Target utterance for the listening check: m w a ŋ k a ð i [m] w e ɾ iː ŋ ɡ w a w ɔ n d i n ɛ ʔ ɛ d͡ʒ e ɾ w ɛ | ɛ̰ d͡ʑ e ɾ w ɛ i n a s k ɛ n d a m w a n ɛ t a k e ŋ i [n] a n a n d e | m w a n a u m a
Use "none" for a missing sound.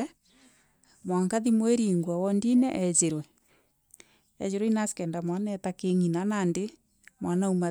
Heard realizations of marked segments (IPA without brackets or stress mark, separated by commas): m, n